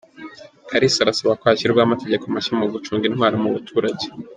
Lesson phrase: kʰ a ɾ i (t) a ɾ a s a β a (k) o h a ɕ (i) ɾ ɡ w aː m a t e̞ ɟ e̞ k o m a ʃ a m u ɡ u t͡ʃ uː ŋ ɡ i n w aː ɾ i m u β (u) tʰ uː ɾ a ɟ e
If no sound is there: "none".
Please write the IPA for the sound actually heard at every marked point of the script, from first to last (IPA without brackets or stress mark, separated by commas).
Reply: s, k, i, u